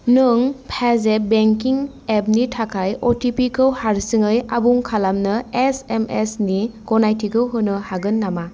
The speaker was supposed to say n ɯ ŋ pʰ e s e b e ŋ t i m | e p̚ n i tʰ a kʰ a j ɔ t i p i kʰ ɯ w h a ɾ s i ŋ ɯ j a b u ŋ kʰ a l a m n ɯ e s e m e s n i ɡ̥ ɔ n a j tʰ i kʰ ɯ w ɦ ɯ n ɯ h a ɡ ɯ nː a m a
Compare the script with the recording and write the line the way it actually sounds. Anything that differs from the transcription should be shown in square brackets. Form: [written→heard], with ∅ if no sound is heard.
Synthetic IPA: n ɯ ŋ pʰ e [s→z] e b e ŋ [t→k] i [m→ŋ] | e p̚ n i tʰ a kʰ a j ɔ t i p i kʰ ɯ w h a ɾ s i ŋ ɯ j a b u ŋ kʰ a l a m n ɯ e s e m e s n i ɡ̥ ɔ n a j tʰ i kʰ ɯ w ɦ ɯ n ɯ h a ɡ ɯ nː a m a